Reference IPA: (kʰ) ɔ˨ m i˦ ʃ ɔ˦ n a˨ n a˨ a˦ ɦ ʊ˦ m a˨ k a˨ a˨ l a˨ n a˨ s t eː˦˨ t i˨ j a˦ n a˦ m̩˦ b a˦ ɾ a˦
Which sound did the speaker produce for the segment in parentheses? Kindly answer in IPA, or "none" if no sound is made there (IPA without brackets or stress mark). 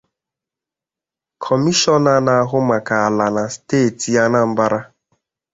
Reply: kʰ